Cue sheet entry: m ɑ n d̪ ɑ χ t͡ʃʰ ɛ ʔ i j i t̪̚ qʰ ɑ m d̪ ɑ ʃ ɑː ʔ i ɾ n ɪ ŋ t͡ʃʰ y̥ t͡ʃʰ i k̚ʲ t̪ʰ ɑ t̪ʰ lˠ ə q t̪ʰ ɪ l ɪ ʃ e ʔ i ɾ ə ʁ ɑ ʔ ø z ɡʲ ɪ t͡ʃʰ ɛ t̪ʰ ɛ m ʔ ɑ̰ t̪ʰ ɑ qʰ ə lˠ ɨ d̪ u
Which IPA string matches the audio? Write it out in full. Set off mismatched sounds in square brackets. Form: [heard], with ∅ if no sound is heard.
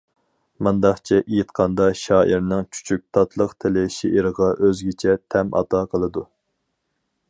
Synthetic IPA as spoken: m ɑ n d̪ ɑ χ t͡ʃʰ ɛ ʔ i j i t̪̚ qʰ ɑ [n] d̪ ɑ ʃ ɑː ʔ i ɾ n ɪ ŋ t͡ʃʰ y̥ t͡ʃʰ [y] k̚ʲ t̪ʰ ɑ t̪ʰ lˠ ə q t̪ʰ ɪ l ɪ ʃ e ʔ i ɾ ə ʁ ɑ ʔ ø z ɡʲ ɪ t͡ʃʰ ɛ t̪ʰ ɛ m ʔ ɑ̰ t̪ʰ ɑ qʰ ə lˠ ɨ d̪ u